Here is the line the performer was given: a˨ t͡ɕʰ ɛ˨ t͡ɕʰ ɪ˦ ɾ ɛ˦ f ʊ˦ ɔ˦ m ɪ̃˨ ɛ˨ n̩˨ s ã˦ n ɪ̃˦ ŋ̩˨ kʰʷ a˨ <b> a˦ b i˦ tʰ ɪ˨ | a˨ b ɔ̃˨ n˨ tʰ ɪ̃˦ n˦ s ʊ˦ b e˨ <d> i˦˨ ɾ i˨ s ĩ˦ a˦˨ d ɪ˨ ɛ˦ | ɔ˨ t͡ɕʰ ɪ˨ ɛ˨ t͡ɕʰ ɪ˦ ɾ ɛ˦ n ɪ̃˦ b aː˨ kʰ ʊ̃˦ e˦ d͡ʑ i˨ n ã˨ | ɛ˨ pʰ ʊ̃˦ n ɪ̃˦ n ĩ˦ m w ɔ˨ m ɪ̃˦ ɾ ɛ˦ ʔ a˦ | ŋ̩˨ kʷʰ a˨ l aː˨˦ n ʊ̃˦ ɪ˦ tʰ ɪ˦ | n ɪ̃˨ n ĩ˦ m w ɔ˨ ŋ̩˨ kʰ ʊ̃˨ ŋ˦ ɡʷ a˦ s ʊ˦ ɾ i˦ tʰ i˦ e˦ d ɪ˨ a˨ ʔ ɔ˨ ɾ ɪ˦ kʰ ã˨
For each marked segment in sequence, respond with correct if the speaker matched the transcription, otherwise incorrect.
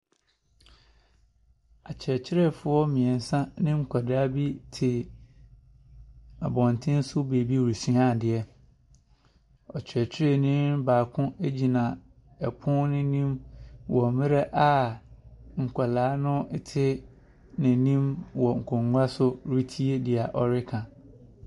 incorrect: d, incorrect: b

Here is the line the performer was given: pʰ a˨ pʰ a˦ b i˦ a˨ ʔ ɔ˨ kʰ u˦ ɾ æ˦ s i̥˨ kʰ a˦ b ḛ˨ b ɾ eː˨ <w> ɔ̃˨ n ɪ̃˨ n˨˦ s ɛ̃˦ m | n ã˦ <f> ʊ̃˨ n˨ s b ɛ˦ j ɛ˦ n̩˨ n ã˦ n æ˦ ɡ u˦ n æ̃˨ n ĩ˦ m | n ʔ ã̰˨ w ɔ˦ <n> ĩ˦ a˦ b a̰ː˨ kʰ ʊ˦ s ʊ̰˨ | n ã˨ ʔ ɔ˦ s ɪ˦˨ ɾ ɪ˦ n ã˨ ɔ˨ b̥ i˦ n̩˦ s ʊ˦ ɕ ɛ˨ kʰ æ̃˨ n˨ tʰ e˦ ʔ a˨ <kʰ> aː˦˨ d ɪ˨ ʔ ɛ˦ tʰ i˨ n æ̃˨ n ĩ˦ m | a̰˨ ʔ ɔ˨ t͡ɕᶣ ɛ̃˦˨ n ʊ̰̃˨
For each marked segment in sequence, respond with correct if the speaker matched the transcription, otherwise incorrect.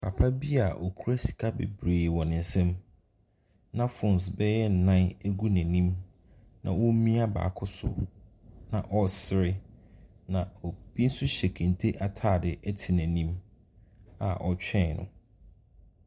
correct, correct, incorrect: m, incorrect: tʰ

